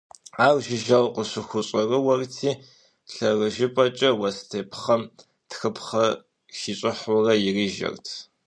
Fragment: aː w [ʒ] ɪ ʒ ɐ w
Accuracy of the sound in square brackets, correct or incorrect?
correct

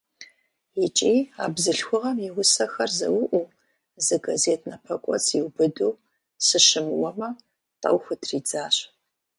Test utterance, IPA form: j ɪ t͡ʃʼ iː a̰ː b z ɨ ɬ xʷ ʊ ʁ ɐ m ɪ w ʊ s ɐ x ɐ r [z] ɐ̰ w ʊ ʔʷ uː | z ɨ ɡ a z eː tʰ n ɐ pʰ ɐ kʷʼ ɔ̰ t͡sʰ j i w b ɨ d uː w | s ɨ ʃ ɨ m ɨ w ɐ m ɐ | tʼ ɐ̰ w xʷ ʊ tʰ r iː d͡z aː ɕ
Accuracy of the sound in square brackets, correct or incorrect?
correct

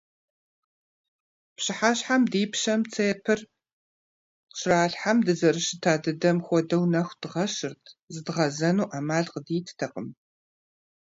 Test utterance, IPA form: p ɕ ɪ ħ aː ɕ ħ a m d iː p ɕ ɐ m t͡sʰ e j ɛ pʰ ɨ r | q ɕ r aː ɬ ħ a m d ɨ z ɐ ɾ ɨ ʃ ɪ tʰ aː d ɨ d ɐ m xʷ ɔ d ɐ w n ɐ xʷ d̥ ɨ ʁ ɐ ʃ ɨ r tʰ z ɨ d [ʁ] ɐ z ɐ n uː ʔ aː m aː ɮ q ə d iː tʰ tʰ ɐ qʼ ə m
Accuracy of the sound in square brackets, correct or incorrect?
correct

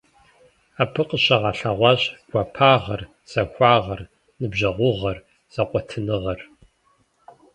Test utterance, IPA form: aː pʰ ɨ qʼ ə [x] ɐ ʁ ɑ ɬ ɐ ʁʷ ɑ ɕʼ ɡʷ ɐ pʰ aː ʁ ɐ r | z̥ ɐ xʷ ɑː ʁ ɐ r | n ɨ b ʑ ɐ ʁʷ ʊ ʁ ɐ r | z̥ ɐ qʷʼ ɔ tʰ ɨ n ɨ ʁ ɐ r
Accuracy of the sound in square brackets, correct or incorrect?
incorrect: ɕ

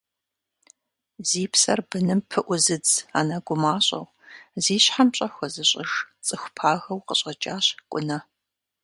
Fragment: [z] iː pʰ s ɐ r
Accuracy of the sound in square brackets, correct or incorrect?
correct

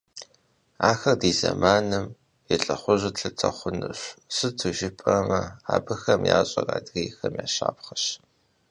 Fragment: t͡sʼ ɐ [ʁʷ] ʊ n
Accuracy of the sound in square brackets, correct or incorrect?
incorrect: χʷ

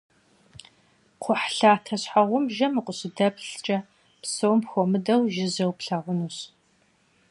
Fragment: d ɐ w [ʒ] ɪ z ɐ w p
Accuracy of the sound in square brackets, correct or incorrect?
correct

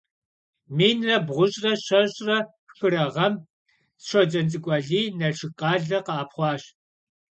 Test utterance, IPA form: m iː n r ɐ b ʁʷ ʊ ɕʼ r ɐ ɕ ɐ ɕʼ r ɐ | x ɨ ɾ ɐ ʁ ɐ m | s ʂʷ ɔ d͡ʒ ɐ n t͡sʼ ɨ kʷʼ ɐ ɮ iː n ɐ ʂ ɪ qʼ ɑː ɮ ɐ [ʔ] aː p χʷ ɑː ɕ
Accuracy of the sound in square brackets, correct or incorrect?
incorrect: q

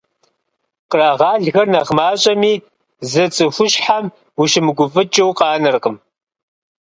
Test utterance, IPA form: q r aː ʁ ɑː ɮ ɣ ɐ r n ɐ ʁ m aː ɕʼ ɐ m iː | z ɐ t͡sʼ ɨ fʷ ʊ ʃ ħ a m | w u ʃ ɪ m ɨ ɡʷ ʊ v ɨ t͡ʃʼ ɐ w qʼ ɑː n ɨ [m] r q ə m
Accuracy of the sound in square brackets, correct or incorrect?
incorrect: none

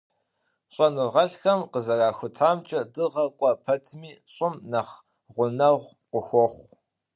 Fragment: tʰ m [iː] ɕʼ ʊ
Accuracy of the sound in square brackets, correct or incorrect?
correct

